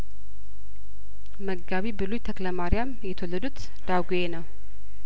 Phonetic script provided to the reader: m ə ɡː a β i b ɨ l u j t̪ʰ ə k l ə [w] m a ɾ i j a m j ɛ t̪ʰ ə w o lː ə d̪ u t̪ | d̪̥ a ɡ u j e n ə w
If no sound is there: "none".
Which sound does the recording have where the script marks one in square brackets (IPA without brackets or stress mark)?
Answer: none